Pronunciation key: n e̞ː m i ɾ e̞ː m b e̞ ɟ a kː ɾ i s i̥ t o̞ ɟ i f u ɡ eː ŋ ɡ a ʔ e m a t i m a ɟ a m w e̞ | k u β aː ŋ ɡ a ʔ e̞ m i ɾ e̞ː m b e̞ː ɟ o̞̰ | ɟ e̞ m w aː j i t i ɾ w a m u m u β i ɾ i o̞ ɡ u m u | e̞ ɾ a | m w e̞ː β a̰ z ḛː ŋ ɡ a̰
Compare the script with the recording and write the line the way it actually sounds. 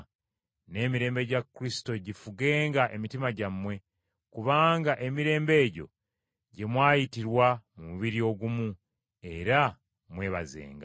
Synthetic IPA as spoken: n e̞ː m i ɾ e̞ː m b e̞ ɟ a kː ɾ i s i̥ t o̞ ɟ i f u ɡ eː ŋ ɡ a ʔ e m i t i m a ɟ a m w e̞ | k u β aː ŋ ɡ a ʔ e̞ m i ɾ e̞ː m b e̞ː ɟ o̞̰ | ɟ e̞ m w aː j i t i ɾ w a m u m u β i ɾ i o̞ ɡ u m u | e̞ ɾ a | m w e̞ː β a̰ z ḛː ŋ ɡ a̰

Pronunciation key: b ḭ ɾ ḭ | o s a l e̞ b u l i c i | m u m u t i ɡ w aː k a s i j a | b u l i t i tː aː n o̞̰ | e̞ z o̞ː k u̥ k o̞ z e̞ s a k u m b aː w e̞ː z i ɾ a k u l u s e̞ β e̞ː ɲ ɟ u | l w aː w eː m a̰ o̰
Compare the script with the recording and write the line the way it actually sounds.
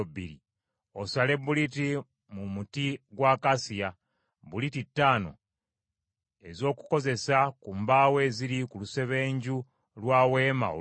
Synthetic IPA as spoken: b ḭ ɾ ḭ | o s a l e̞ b u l i t i | m u m u t i ɡ w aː k a s i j a | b u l i t i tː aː n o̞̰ | e̞ z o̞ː k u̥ k o̞ z e̞ s a k u m b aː w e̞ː z i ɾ i k u l u s e̞ β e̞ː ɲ ɟ u | l w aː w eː m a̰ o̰

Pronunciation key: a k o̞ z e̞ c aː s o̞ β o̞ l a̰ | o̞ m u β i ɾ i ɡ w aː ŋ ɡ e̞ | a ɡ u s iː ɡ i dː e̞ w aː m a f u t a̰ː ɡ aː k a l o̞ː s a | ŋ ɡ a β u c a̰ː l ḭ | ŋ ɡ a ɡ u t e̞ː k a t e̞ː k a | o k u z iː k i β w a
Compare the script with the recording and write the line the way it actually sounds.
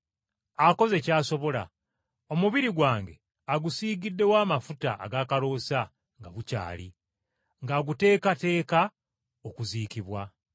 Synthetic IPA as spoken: a k o̞ z e̞ c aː s o̞ β o̞ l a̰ | o̞ m u β i ɾ i ɡ w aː ŋ ɡ e̞ | a ɡ u s iː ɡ i dː e̞ w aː m a f u t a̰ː ɡ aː k a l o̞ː s a | ŋ ɡ a β u c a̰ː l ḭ | ŋ ɡ a ɡ u t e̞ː k a t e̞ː k a | o k u z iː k i β w a

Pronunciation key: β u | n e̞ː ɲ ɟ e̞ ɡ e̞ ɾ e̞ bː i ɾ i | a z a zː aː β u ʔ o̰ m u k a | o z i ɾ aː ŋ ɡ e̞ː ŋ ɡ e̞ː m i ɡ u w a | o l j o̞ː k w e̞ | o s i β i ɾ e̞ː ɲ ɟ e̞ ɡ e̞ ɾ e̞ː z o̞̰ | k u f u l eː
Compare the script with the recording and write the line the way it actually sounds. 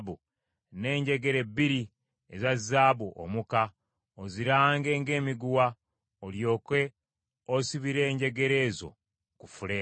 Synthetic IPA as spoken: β u | n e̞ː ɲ ɟ e̞ ɡ e̞ ɾ e̞ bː i ɾ i | e z a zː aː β u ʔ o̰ m u k a | o z i ɾ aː ŋ ɡ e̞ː ŋ ɡ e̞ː m i ɡ u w a | o l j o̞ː k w e̞ | o s i β i ɾ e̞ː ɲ ɟ e̞ ɡ e̞ ɾ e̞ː z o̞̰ | k u f u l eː

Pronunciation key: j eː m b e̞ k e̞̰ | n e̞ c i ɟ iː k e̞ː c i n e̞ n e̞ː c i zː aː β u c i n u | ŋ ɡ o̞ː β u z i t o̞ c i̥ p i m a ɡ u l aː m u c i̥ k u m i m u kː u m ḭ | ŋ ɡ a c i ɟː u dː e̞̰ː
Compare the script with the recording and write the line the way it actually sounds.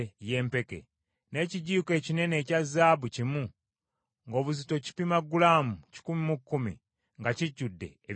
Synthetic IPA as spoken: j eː m p e̞ k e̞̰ | n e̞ c i ɟ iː k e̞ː c i n e̞ n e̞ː c a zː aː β u c i m u | ŋ ɡ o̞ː β u z i t o̞ c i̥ p i m a ɡ u l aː m u c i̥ k u m i m u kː u m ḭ | ŋ ɡ a c i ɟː u dː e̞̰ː

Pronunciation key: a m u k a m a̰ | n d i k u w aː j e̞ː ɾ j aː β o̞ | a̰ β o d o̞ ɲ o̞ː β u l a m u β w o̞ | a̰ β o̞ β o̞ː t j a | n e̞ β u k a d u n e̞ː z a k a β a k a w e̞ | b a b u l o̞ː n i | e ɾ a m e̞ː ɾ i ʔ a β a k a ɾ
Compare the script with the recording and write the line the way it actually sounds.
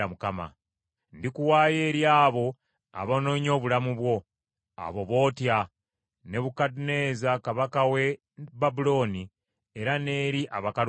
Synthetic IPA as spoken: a m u k a m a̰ | n d i k u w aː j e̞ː ɾ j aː β o̞ | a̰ β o n o̞ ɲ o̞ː β u l a m u β w o̞ | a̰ β o̞ β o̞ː t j a | n e̞ β u k a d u n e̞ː z a k a β a k a w e̞ | b a b u l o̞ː n i | e ɾ a n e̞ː ɾ i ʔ a β a k a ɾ

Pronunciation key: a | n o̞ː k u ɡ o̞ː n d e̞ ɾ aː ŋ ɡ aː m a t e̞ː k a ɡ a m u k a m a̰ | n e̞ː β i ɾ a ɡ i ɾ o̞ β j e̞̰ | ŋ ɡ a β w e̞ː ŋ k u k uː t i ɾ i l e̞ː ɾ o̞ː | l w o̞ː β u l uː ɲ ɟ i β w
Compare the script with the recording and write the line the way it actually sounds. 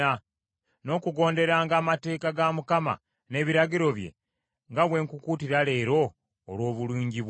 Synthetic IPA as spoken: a | n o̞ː k u ɡ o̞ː n d e̞ ɾ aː ŋ ɡ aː m a t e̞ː k a ɡ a m u k a m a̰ | n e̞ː β i ɾ a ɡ i ɾ o̞ β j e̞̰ | ŋ ɡ a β w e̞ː ŋ k u k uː t i ɾ a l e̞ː ɾ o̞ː | l w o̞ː β u l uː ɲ ɟ i β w

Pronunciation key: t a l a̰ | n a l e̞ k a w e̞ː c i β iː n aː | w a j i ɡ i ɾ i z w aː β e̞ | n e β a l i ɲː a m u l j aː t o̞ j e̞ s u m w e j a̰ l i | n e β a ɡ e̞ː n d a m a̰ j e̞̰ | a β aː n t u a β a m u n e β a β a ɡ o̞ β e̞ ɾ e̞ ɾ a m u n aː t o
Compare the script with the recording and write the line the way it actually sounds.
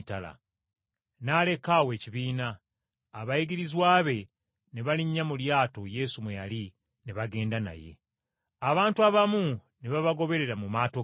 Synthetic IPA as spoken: t a l a̰ | n a l e̞ k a w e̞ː c i β iː n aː | β a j i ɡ i ɾ i z w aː β e̞ | n e β a l i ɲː a m u l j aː t o̞ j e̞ s u m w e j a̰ l i | n e β a ɡ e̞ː n d a n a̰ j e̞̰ | a β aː n t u a β a m u n e β a β a ɡ o̞ β e̞ ɾ e̞ ɾ a m u m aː t o

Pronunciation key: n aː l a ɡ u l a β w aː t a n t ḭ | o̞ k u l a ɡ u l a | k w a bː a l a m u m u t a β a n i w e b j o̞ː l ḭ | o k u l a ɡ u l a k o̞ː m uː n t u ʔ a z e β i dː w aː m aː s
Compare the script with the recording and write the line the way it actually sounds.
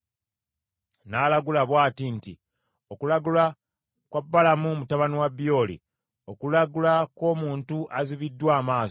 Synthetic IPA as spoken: n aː l a ɡ u l a β w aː t i n t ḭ | o̞ k u l a ɡ u l a | k w a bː a l a m u m u t a β a n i w a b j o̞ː l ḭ | o k u l a ɡ u l a k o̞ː m uː n t u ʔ a z i β i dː w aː m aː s

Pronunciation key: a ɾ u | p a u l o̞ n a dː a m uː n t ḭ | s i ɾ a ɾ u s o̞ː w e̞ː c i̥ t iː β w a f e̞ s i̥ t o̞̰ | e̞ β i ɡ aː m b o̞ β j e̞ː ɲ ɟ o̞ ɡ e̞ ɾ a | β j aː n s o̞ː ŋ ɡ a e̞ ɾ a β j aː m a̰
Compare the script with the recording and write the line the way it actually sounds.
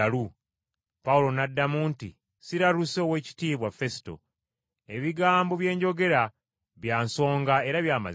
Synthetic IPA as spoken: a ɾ u | p a u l o̞ n a dː a m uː n t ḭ | s i ɾ a ɾ u s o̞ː w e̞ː c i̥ t iː β w a f e̞ s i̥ t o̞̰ | e̞ β i ɡ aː m b o̞ β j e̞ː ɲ ɟ o̞ ɡ e̞ ɾ a | β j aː n s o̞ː ŋ ɡ a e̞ ɾ a β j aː m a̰

